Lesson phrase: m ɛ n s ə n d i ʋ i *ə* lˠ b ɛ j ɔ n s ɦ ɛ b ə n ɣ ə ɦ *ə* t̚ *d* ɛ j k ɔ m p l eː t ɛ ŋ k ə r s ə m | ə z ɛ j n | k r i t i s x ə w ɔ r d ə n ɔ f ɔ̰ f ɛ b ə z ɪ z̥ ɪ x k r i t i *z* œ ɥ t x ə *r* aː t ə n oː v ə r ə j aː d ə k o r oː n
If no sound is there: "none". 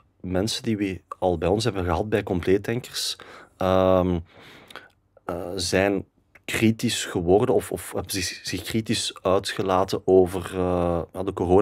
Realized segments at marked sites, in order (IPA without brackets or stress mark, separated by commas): ɑ, ɑ, b, s, l